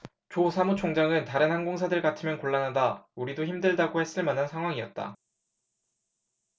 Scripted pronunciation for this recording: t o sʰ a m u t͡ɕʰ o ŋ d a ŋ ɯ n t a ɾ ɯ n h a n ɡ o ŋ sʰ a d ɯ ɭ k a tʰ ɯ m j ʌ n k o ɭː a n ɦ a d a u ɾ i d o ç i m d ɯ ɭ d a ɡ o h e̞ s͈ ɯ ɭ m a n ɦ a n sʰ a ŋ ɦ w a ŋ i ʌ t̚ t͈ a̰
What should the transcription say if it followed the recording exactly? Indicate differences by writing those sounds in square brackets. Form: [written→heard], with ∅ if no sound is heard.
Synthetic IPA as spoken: [t→t͡ɕ] o sʰ a m u t͡ɕʰ o ŋ [d→d͡ʑ] a ŋ ɯ n t a ɾ ɯ n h a n ɡ o ŋ sʰ a d ɯ ɭ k a tʰ ɯ m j ʌ n k o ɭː a n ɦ a d a u ɾ i d o ç i m d ɯ ɭ d a ɡ o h e̞ s͈ ɯ ɭ m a n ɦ a n sʰ a ŋ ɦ w a ŋ i ʌ t̚ t͈ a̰